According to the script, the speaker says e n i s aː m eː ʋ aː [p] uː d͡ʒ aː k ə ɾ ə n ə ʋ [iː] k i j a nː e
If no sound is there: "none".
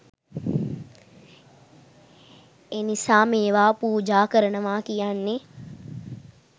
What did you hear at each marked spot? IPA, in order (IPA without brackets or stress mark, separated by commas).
p, aː